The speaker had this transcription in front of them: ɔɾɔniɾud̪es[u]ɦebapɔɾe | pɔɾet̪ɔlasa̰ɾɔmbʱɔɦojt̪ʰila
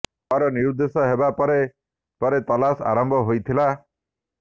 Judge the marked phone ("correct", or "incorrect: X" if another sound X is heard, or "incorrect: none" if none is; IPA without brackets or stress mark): incorrect: ɔ